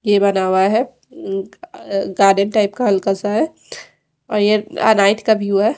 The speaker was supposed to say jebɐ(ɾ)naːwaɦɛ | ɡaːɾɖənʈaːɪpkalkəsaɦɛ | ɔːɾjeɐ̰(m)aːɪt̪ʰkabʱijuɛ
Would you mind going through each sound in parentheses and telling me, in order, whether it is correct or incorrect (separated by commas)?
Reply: incorrect, incorrect